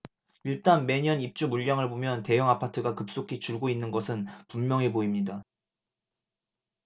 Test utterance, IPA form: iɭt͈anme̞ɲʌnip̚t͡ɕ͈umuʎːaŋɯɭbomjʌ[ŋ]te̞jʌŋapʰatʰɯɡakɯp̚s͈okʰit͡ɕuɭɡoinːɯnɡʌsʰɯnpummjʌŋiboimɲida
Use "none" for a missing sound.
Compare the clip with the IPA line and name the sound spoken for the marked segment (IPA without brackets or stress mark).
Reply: n